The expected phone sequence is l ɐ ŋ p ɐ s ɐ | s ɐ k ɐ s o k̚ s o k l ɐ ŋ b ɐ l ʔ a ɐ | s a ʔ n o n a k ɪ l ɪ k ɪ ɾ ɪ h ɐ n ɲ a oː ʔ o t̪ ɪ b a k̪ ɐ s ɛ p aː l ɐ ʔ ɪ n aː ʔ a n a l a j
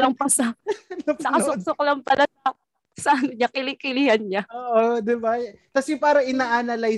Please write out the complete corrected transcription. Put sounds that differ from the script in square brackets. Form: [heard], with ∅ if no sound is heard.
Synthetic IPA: l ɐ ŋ p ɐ s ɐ | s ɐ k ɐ s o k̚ s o k l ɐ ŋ [p] ɐ l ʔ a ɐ | s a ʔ n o [ɲ] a k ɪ l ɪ k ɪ [l] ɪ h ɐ n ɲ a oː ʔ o [d̪] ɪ b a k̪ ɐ s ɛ p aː [ɾ] ɐ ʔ ɪ n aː ʔ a n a l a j